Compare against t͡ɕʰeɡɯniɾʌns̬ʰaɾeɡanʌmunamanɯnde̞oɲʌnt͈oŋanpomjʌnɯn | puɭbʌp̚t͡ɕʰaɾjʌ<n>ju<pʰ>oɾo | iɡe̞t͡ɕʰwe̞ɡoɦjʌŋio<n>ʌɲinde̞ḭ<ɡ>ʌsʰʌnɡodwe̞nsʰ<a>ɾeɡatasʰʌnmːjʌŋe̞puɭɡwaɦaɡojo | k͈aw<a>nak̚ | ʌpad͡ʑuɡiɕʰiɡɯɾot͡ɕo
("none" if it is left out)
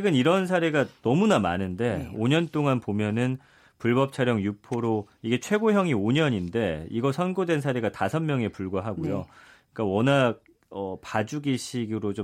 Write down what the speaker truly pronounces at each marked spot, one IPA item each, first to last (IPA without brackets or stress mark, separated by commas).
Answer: ŋ, pʰ, ɲ, ɡ, a, ʌ